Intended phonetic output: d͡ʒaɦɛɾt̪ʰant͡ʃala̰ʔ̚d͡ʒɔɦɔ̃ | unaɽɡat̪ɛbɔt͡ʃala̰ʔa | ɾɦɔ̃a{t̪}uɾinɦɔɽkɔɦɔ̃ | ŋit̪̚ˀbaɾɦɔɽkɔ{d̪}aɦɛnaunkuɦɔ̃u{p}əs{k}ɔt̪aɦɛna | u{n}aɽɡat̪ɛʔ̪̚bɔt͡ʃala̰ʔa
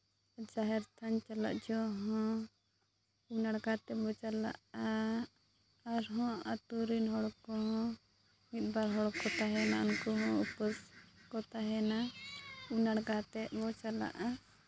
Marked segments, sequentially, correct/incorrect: correct, incorrect: t̪, correct, correct, correct

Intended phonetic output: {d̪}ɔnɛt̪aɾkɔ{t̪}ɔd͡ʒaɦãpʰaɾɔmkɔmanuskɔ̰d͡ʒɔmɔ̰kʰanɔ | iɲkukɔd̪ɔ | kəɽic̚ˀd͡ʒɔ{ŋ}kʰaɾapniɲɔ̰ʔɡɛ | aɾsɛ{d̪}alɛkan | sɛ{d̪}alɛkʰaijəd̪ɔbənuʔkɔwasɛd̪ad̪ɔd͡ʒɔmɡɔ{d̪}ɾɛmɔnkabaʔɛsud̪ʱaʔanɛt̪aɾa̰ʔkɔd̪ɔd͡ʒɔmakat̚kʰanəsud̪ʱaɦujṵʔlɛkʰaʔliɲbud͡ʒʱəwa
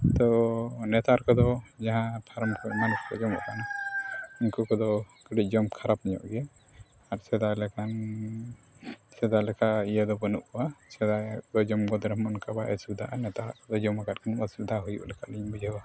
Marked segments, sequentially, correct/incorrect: incorrect: t̪, incorrect: d̪, incorrect: m, correct, correct, correct

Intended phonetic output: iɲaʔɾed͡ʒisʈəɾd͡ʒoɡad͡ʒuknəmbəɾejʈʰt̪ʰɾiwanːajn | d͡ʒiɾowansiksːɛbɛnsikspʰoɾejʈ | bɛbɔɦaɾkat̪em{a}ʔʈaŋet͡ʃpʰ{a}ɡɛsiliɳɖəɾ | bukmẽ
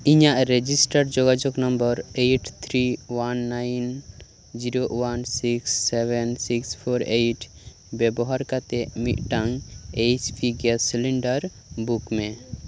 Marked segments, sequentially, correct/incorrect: incorrect: i, incorrect: i

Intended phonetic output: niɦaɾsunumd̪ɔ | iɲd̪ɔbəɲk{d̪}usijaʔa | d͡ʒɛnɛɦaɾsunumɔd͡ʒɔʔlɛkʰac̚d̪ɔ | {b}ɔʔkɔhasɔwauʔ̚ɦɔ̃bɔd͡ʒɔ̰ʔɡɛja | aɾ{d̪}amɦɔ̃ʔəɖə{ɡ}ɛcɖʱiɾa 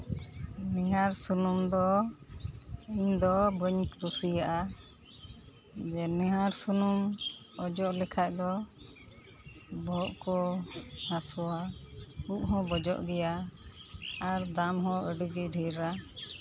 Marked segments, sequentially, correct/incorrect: correct, correct, correct, correct

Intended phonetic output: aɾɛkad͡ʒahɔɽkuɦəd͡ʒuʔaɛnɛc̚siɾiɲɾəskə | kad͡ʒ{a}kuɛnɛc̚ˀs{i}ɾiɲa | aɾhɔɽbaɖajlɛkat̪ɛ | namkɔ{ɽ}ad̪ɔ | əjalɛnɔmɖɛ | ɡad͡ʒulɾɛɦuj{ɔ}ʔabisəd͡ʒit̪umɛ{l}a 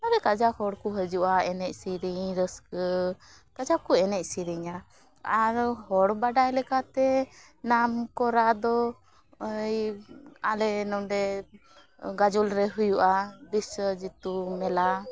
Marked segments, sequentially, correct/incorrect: correct, correct, incorrect: ɾ, incorrect: u, correct

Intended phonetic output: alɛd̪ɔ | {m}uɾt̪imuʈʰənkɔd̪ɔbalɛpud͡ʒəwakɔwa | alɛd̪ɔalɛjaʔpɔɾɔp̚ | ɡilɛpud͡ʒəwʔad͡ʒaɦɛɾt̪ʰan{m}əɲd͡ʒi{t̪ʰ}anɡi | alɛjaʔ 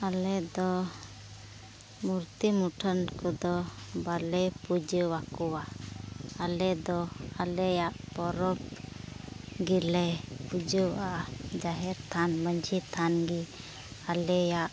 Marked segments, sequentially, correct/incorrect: correct, correct, correct

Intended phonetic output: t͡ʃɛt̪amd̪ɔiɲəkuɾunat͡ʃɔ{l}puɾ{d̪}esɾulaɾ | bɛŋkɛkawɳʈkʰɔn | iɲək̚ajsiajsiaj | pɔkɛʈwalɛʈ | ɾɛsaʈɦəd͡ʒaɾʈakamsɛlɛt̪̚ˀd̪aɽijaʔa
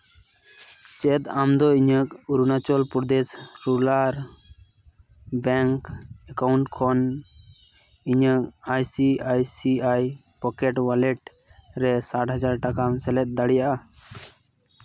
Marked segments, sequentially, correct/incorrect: correct, correct

